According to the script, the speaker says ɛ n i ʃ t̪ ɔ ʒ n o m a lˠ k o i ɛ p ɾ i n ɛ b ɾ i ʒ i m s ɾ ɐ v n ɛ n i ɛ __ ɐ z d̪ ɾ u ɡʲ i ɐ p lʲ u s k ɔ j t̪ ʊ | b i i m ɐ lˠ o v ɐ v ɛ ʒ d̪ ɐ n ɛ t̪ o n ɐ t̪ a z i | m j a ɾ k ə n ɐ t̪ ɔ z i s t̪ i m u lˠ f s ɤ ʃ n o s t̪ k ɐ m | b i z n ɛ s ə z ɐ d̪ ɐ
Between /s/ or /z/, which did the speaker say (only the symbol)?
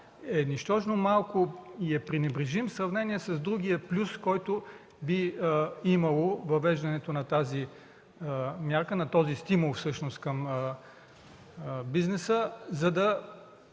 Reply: s